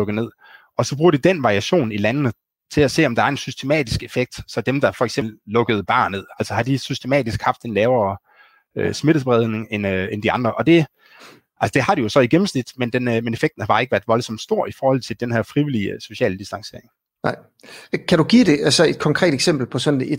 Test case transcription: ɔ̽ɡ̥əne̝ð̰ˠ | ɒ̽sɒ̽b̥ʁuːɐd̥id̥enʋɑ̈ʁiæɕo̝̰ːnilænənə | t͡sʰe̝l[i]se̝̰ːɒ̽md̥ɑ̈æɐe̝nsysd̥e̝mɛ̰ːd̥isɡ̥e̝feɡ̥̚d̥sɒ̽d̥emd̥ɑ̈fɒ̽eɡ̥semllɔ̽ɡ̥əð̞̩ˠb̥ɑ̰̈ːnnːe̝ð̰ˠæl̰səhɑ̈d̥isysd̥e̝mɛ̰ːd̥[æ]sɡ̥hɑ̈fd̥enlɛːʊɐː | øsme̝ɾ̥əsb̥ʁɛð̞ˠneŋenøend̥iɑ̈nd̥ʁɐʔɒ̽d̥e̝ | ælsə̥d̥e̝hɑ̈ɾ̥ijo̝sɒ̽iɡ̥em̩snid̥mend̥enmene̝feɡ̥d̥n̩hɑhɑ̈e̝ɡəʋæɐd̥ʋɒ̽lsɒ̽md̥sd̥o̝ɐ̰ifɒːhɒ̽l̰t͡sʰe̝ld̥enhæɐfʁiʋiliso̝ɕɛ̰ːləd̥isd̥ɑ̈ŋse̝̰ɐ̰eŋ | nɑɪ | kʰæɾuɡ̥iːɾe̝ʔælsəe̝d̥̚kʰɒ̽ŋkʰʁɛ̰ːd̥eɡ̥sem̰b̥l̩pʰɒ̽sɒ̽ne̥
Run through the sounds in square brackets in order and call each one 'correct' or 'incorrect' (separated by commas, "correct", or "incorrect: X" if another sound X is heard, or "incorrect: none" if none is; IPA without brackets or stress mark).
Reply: incorrect: æ, incorrect: i